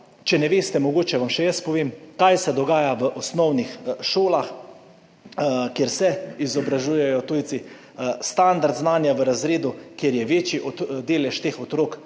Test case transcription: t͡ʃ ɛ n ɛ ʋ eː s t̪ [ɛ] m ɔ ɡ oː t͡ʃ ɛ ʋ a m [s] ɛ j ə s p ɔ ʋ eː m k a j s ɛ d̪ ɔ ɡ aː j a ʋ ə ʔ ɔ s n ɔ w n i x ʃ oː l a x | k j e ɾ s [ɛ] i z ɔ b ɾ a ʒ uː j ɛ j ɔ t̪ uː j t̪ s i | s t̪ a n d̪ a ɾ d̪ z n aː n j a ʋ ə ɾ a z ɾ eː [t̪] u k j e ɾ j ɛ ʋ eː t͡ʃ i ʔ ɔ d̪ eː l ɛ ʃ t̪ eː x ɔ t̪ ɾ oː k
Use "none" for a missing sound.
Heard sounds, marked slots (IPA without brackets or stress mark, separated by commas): ɛ, ʃ, ɛ, d̪